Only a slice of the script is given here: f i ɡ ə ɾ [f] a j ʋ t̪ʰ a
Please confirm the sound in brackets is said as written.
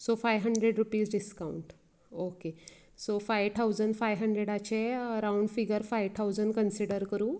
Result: yes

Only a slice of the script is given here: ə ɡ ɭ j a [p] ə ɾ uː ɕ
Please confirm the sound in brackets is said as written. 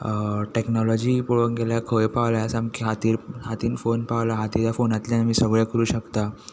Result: no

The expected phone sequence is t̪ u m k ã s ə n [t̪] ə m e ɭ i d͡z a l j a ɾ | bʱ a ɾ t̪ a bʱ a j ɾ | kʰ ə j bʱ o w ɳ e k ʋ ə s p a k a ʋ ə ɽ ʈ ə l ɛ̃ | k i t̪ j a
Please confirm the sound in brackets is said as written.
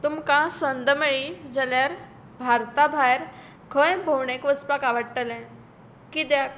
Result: no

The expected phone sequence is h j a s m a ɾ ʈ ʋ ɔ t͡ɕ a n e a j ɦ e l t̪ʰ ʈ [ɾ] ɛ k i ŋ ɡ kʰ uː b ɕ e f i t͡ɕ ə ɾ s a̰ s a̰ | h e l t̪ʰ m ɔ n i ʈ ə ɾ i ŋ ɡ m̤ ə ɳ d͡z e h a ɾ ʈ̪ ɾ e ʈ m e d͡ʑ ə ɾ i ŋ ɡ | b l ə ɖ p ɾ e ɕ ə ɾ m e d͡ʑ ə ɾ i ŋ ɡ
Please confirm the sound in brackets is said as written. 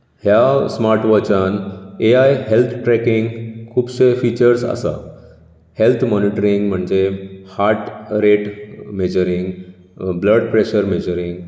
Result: yes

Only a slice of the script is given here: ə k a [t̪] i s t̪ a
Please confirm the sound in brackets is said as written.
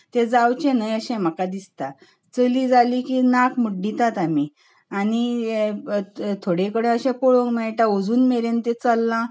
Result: no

